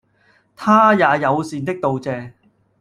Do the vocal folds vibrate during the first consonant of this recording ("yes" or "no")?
no